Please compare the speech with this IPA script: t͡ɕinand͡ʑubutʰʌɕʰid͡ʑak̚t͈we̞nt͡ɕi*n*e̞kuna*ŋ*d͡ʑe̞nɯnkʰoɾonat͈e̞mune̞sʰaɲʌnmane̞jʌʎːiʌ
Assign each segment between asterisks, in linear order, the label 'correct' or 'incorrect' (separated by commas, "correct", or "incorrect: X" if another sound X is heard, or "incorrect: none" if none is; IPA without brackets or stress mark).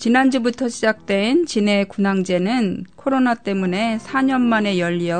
correct, correct